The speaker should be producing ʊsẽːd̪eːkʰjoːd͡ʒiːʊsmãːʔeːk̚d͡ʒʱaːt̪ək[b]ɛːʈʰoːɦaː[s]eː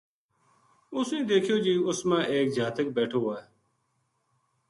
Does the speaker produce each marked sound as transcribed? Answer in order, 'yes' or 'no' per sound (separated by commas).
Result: yes, no